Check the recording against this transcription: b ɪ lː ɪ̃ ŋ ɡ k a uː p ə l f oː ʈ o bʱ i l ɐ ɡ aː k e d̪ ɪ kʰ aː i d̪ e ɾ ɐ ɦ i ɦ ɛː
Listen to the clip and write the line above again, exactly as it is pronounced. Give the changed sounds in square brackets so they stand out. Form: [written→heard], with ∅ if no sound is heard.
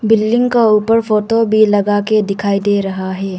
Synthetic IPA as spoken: b ɪ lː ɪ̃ ŋ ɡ k a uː p ə [l→ɾ] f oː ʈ o bʱ i l ɐ ɡ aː k e d̪ ɪ kʰ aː i d̪ e ɾ ɐ ɦ [i→a] ɦ ɛː